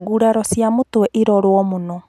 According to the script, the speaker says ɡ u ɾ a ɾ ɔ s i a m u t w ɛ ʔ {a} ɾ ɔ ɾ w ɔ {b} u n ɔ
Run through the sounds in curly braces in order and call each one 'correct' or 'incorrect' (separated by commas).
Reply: incorrect, incorrect